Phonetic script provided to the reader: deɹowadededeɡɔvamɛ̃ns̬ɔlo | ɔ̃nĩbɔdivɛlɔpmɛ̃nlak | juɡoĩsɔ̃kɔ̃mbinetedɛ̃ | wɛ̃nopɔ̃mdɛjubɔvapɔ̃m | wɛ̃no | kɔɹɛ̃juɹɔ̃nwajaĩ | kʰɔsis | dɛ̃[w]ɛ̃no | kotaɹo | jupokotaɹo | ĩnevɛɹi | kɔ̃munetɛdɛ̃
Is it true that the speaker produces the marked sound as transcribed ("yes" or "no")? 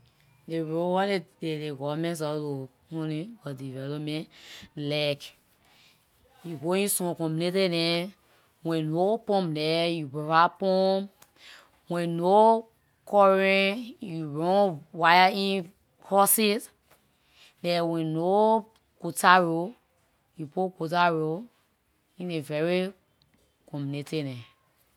yes